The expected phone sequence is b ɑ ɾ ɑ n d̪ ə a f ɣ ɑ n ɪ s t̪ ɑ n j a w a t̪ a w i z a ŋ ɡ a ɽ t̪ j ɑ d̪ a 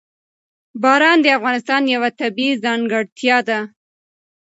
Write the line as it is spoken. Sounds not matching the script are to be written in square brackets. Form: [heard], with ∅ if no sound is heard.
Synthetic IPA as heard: b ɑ ɾ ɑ n d̪ ə a f ɣ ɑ n ɪ s t̪ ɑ n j a w a t̪ a [b] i z [ɑ] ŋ ɡ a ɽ t̪ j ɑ d̪ a